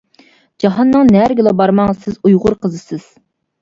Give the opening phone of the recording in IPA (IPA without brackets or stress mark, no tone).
d͡ʒ